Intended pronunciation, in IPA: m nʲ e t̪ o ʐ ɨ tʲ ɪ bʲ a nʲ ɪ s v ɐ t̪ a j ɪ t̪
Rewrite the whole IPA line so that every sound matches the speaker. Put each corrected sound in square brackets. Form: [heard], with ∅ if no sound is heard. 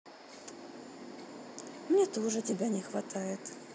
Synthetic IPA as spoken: m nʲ e t̪ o ʐ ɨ tʲ ɪ bʲ a nʲ ɪ [x] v ɐ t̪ a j ɪ t̪